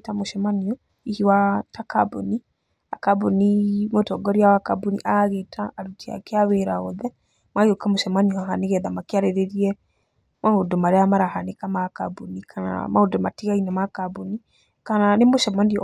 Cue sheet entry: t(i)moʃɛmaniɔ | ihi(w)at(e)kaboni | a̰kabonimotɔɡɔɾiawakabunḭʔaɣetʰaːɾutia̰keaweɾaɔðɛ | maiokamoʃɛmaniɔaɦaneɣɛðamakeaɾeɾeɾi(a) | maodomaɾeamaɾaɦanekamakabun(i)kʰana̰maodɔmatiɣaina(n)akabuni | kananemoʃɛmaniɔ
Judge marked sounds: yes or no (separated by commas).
no, yes, no, no, yes, no